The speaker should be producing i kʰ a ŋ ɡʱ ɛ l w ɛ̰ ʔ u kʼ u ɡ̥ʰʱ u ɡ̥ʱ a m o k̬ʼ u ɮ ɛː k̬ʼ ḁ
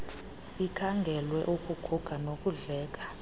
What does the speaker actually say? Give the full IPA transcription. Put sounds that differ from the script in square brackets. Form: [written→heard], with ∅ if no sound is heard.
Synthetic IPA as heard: i kʰ a ŋ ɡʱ ɛ l w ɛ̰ ʔ u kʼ u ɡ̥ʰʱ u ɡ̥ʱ a [m→n] o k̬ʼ u ɮ ɛː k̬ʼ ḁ